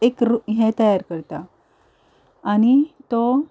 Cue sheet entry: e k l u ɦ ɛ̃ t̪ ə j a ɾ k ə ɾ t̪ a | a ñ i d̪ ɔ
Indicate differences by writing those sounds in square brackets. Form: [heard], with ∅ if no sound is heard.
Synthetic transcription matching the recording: e k [ɾ] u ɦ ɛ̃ t̪ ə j a ɾ k ə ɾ t̪ a | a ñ i [t̪] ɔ